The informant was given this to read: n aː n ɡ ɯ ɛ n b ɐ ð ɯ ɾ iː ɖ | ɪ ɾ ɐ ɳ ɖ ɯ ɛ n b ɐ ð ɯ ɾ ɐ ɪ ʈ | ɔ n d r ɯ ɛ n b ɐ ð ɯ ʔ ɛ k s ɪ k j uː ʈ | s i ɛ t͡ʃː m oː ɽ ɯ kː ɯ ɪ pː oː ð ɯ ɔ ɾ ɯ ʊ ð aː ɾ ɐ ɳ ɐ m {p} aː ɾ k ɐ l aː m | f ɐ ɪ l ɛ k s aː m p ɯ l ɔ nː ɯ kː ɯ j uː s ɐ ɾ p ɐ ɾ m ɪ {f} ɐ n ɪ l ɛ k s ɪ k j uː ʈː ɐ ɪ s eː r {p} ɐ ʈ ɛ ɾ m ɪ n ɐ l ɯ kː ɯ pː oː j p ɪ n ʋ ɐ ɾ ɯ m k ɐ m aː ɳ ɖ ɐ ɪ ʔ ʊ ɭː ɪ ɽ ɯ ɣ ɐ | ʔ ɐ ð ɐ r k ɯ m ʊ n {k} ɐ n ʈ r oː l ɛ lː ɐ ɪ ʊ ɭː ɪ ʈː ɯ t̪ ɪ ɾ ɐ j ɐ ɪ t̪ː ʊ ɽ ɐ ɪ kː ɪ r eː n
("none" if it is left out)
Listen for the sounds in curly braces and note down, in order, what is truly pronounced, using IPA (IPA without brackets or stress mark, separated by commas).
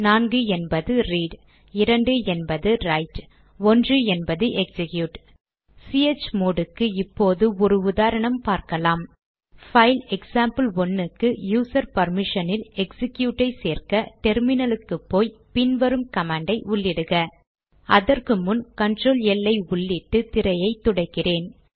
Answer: p, ʂ, k, k